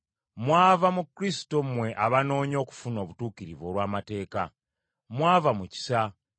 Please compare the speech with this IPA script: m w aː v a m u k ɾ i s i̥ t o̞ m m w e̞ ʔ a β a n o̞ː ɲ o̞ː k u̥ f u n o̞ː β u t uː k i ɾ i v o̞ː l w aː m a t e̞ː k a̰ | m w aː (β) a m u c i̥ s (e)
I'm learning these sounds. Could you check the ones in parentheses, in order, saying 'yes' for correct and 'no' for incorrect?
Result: no, no

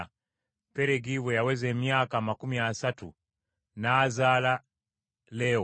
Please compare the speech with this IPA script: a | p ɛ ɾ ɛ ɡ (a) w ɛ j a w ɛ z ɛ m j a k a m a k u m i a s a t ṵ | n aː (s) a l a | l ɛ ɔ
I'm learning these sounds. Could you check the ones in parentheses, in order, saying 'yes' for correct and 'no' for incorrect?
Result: no, no

